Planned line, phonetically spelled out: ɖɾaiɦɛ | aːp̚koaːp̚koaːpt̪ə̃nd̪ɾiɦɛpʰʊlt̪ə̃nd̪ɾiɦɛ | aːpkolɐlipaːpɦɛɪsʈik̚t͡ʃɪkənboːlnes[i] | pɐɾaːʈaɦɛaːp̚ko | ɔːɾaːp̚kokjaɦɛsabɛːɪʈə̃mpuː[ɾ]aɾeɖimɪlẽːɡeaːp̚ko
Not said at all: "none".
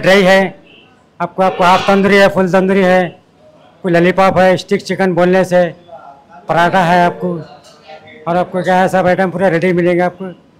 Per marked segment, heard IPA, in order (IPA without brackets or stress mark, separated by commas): e, ɾ